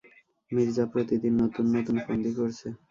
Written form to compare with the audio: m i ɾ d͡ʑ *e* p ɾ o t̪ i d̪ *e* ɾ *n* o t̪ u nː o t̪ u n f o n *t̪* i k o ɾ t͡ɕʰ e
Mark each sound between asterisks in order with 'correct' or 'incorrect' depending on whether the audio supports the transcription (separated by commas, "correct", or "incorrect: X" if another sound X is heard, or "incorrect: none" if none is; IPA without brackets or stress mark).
incorrect: a, incorrect: i, correct, incorrect: d̪